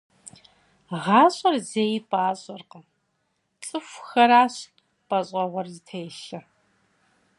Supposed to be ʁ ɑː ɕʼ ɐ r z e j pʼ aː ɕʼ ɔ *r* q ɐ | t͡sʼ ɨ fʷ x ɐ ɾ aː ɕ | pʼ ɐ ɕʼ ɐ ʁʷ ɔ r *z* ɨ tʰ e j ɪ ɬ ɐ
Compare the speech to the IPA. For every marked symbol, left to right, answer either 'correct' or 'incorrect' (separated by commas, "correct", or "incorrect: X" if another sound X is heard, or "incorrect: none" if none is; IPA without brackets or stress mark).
correct, correct